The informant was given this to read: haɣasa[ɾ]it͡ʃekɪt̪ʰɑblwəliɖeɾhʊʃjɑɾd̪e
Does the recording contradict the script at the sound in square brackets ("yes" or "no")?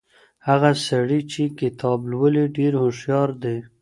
yes